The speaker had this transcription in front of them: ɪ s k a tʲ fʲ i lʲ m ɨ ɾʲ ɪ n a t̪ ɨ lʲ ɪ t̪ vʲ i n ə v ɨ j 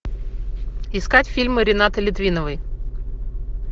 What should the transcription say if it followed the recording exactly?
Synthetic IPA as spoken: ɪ s k a tʲ fʲ i lʲ m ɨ ɾʲ ɪ n a t̪ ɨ lʲ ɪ t̪ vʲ i n ə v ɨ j